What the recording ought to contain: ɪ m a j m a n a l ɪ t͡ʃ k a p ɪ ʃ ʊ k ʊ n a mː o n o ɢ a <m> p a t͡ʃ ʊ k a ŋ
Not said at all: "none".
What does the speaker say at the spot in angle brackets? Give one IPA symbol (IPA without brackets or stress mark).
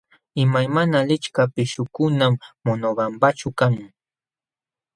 m